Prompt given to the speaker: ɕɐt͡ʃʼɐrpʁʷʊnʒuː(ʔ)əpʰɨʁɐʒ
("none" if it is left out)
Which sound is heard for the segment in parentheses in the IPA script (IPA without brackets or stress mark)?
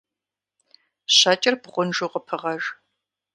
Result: q